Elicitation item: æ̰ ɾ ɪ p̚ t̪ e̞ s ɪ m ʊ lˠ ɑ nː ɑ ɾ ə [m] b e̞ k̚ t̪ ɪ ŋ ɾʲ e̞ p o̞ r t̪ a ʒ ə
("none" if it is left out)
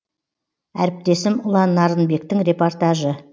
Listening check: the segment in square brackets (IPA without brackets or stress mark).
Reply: n